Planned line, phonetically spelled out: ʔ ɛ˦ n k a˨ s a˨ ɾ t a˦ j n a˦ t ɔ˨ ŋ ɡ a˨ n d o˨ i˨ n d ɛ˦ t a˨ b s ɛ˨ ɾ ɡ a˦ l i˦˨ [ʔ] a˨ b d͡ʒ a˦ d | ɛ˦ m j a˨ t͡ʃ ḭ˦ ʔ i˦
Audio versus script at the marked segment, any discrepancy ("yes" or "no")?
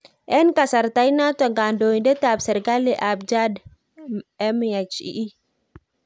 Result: no